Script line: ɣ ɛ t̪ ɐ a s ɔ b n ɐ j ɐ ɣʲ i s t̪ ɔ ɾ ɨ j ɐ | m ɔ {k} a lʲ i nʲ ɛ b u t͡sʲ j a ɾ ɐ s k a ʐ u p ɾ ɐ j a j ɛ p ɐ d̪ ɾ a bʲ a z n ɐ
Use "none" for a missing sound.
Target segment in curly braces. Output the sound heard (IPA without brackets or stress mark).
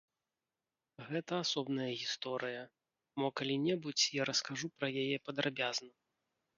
k